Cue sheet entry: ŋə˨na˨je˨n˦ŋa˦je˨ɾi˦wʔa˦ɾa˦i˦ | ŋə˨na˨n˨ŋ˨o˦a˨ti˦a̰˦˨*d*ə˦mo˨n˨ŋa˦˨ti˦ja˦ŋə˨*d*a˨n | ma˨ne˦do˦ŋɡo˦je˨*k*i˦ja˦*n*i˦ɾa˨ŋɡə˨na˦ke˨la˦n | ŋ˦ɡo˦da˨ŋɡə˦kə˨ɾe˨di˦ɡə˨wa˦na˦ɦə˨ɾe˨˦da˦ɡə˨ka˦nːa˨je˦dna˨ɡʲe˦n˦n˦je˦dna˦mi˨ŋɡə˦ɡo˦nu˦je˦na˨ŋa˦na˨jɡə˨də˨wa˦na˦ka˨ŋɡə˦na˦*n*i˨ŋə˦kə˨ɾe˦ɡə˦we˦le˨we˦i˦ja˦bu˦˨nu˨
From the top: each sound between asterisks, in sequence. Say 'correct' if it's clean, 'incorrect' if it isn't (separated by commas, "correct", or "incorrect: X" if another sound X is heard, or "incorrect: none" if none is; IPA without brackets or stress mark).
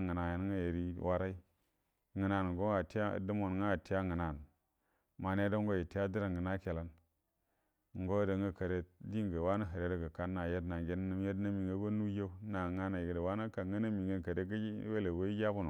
correct, incorrect: n, incorrect: t, incorrect: d, incorrect: m